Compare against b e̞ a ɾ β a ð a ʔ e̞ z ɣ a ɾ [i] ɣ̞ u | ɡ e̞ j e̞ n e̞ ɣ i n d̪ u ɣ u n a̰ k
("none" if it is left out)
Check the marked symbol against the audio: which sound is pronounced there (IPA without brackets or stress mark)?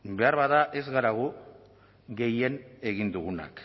a